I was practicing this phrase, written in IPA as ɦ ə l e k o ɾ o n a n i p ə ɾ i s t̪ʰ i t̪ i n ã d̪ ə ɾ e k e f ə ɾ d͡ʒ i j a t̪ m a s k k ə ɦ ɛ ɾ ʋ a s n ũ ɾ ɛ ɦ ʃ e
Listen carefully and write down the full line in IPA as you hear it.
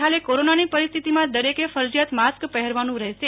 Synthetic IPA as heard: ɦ a l e k o ɾ o n a n i p ə ɾ i s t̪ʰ i t̪ i m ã d̪ ə ɾ e k e f ə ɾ d͡ʒ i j a t̪ m a s k p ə ɦ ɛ ɾ ʋ a n ũ ɾ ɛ ɦ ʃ e